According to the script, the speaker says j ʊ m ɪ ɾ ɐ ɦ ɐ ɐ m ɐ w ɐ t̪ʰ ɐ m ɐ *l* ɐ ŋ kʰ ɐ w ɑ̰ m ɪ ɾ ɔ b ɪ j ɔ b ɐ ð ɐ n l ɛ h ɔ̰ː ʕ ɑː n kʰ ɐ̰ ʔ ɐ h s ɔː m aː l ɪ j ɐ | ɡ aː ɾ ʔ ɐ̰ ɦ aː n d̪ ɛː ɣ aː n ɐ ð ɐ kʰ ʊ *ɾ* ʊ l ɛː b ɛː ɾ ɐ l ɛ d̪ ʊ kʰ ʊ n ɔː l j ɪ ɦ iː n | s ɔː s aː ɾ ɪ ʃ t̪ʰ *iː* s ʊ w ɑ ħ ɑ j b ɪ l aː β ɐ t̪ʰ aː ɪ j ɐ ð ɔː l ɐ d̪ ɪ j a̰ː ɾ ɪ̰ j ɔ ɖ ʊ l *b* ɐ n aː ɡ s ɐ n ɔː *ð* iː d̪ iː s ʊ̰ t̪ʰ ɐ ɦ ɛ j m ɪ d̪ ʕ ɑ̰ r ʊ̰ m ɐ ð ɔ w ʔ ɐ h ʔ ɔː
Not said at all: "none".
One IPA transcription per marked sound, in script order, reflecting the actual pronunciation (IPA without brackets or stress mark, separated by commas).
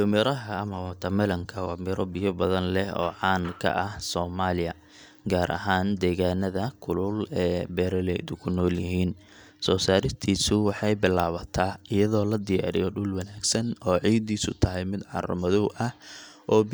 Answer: l, l, iː, w, ʕ